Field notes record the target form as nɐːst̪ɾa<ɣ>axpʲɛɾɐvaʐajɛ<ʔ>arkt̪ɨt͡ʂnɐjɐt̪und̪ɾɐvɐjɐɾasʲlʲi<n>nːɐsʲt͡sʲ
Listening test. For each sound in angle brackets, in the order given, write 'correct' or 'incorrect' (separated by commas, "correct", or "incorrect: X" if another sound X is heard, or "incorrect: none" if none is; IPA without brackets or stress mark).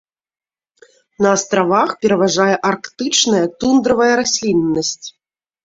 incorrect: v, correct, correct